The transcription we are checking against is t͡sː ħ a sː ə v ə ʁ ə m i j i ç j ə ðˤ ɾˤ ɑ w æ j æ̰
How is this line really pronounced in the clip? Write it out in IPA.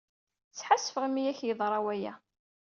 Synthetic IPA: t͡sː ħ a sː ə f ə ʁ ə m i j æ ç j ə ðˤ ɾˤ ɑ w æ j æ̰